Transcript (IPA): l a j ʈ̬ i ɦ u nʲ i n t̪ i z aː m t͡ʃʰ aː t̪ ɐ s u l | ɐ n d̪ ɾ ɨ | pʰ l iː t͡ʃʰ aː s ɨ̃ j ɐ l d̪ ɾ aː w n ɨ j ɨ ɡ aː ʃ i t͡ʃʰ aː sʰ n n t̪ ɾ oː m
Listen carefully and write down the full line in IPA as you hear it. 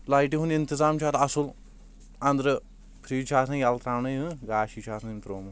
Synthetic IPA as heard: l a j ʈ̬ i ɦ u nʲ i n t̪ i z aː m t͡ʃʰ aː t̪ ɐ s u l | ɐ n d̪ ɾ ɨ | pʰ ɾ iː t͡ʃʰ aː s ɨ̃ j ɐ l t̪ ɾ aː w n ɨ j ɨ ɡ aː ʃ i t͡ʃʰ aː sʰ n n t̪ ɾ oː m